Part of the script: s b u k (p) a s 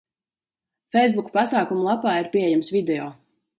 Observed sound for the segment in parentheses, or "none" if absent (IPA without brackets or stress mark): p